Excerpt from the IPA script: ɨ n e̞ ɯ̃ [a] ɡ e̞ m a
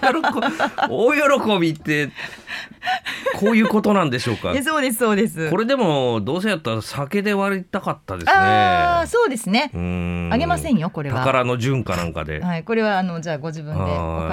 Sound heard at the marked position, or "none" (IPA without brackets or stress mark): a